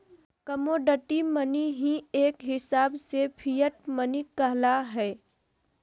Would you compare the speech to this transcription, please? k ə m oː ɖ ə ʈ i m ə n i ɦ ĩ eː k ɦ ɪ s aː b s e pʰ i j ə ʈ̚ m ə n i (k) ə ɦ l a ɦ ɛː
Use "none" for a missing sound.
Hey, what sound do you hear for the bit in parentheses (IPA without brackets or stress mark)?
k